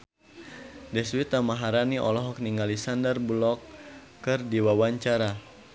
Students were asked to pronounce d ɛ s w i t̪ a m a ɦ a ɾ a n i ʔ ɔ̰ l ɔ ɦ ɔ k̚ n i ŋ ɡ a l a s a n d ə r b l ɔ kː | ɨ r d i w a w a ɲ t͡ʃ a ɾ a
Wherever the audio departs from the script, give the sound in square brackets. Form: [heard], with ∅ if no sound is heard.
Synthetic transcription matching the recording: d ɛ s w i t̪ a m a ɦ a ɾ a n i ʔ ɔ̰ l ɔ ɦ ɔ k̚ n i ŋ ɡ a l [i] s a n d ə r b l ɔ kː | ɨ r d i w a w a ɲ t͡ʃ a ɾ a

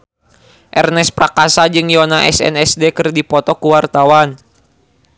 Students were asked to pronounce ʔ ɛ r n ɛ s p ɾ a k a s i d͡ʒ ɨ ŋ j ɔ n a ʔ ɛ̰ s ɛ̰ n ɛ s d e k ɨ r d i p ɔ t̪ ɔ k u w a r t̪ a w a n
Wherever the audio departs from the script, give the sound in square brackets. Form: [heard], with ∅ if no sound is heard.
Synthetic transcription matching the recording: ʔ ɛ r n ɛ s p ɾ a k a s [a] d͡ʒ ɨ ŋ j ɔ n a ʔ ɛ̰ s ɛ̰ n ɛ s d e k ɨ r d i p ɔ t̪ ɔ k u w a r t̪ a w a n

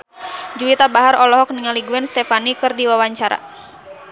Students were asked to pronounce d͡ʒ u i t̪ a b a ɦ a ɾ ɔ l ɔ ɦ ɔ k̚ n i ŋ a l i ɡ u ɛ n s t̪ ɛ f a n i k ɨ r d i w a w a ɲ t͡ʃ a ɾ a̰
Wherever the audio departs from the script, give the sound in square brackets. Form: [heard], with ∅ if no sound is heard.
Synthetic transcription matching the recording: d͡ʒ u i t̪ a b a ɦ a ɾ ɔ l ɔ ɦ ɔ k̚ n i ŋ a l i ɡ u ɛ n s t̪ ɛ f a n i k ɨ r d i w a w a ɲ t͡ʃ a ɾ a̰

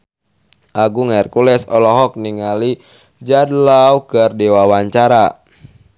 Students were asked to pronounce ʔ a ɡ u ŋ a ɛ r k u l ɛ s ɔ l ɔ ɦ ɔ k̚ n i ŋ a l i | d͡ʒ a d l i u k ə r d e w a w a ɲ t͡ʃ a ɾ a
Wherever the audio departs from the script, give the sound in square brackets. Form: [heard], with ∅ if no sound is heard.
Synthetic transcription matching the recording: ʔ a ɡ u ŋ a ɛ r k u l ɛ s ɔ l ɔ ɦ ɔ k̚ n i ŋ a l i | d͡ʒ a d l [a] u k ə r d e w a w a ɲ t͡ʃ a ɾ a

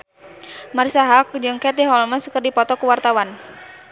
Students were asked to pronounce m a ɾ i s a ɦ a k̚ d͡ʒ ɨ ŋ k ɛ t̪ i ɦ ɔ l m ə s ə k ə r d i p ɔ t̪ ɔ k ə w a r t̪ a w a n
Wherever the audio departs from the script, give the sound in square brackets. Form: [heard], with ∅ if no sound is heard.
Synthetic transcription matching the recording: m a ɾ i s a ɦ a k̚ d͡ʒ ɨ ŋ k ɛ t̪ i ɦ ɔ l m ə s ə k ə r d i p ɔ t̪ ɔ k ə w a r t̪ a w a n

